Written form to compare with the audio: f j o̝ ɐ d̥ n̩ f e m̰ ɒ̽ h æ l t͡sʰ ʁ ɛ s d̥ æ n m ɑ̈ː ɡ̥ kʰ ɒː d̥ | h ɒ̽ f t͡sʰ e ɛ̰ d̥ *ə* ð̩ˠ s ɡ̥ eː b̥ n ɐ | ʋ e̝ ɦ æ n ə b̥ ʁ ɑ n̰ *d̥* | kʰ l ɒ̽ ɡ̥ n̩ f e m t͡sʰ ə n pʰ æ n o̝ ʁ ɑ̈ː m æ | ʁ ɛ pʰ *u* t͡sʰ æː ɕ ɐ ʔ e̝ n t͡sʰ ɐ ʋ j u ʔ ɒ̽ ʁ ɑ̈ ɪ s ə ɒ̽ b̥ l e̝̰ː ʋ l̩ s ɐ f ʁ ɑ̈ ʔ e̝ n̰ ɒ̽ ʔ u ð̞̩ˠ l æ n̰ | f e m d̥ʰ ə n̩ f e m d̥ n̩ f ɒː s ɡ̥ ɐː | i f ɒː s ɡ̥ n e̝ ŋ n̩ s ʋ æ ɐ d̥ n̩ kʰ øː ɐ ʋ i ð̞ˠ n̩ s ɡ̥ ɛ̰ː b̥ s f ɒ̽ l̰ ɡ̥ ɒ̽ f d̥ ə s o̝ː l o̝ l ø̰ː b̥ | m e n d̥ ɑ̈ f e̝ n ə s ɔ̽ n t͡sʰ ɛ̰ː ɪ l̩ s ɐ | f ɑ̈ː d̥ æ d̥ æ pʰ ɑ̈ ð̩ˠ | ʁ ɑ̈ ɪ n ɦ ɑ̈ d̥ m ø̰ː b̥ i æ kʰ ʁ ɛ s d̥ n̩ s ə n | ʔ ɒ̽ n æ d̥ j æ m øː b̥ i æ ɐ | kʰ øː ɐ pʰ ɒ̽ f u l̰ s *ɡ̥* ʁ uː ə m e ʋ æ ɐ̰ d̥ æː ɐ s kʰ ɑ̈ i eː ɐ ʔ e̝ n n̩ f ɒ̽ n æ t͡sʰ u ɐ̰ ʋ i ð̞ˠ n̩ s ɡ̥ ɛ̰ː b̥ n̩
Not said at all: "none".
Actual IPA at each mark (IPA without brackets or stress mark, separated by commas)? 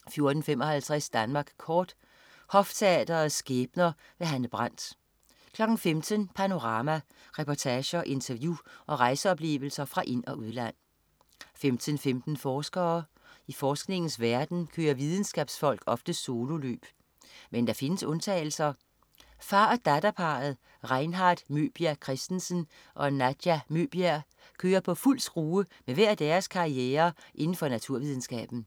ɐ, d̥, ɒ, ɡ̥